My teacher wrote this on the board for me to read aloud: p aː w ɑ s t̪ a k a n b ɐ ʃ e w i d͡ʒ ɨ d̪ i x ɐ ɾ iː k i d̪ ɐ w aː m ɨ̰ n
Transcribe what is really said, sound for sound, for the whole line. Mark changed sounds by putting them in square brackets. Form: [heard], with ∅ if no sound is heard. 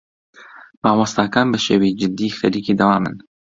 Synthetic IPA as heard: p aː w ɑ s t̪ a k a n b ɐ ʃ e w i d͡ʒ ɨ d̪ i x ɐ ɾ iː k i d̪ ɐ w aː m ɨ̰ n

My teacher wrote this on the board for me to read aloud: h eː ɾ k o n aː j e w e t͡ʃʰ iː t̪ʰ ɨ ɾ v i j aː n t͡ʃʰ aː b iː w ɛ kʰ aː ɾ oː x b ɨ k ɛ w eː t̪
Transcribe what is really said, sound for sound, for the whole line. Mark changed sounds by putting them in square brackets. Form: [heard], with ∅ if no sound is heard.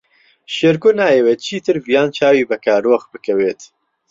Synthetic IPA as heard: [ʃ] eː ɾ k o n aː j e w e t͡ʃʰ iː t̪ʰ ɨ ɾ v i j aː n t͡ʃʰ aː [w] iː [b] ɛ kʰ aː ɾ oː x b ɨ k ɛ w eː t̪

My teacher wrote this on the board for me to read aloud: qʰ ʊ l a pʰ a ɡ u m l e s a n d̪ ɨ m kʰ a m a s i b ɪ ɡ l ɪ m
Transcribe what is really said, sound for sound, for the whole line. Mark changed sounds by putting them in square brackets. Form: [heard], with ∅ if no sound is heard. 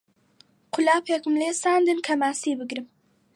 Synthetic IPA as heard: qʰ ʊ l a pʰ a [k] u m l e s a n d̪ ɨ [n] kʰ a m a s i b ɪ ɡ [ɾ] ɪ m

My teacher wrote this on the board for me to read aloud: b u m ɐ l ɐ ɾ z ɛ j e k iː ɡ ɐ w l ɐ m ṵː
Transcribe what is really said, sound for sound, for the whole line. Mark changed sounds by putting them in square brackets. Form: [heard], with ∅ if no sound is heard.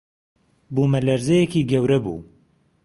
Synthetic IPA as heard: b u m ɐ l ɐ ɾ z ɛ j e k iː ɡ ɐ w [ɾ] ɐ [b] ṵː

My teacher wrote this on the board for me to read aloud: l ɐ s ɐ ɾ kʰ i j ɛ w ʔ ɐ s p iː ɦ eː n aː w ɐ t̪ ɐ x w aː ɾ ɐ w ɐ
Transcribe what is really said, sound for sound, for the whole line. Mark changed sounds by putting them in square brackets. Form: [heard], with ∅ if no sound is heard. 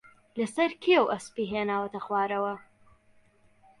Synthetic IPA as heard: l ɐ s ɐ ɾ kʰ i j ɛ w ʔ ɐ s p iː ɦ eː n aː w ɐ t̪ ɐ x w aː ɾ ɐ w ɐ

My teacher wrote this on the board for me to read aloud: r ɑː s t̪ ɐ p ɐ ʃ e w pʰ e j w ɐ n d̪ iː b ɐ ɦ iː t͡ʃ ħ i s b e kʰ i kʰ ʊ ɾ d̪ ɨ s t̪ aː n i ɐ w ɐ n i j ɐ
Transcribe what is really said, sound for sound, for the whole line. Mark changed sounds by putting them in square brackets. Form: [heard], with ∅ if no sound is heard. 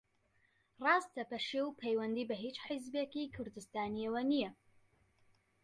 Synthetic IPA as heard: r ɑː s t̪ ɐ p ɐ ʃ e w pʰ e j w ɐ n d̪ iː b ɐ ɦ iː t͡ʃ ħ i [z] b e [k] i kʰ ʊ ɾ d̪ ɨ s t̪ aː n i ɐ w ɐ n i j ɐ

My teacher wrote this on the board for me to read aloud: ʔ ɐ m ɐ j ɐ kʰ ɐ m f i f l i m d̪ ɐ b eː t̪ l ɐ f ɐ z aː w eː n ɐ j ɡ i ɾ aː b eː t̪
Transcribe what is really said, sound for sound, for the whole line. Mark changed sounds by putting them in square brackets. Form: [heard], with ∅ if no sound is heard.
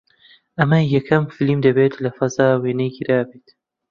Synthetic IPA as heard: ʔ ɐ m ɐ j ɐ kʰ ɐ m f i [∅] l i m d̪ ɐ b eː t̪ l ɐ f ɐ z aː w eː n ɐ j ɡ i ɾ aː b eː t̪

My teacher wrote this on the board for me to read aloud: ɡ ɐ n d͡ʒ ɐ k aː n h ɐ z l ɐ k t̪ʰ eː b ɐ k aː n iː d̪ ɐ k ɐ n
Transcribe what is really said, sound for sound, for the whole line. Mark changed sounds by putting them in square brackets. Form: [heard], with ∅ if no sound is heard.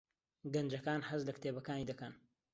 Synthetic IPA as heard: ɡ ɐ n d͡ʒ ɐ k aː n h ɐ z l ɐ k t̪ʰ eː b ɐ k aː n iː d̪ ɐ k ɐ n

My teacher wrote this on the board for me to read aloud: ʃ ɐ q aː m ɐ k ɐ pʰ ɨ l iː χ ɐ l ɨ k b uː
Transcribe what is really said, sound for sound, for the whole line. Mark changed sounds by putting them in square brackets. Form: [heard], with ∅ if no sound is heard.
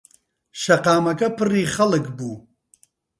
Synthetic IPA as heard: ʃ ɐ q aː m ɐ k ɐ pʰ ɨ [r] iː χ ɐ l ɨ k b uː

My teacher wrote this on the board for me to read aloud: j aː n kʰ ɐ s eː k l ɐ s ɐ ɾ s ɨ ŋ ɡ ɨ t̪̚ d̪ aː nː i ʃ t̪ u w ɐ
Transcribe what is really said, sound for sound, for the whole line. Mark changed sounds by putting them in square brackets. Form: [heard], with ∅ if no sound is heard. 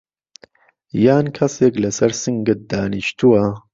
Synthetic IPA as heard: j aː n kʰ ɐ s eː k l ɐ s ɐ ɾ s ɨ ŋ ɡ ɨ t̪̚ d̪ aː [n] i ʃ t̪ u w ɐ

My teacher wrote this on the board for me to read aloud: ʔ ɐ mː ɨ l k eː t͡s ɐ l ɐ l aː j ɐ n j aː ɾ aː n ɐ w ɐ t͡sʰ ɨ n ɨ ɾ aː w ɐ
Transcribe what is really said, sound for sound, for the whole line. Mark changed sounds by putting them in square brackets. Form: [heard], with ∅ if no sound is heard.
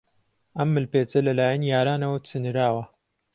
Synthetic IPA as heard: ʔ ɐ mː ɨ l [p] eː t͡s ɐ l ɐ l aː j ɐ n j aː ɾ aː n ɐ w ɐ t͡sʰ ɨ n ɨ ɾ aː w ɐ

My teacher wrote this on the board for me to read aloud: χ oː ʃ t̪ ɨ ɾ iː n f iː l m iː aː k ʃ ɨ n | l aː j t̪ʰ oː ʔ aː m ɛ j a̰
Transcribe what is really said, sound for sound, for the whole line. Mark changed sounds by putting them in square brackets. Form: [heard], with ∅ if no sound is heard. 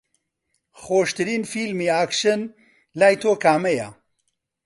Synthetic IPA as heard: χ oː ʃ t̪ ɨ ɾ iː n f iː l m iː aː k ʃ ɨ n | l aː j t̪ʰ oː [k] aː m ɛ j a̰

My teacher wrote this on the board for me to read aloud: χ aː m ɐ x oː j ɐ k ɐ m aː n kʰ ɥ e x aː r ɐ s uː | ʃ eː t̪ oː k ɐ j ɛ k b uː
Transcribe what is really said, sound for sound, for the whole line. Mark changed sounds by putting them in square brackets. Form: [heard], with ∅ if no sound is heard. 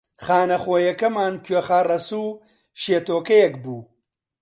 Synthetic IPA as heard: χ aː [n] ɐ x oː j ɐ k ɐ m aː n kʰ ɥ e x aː r ɐ s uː | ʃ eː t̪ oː k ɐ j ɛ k b uː

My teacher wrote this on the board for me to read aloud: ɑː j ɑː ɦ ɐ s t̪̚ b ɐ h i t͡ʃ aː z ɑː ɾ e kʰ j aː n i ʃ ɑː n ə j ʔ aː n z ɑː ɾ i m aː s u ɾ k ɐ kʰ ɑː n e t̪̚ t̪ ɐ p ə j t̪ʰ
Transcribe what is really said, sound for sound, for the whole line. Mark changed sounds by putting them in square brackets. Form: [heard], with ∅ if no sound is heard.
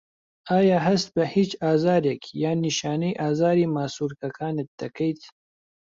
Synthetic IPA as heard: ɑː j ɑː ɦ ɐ s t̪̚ b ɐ h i t͡ʃ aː z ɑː ɾ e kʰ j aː n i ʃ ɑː n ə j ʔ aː [∅] z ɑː ɾ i m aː s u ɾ k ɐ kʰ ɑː n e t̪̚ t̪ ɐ [k] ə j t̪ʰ

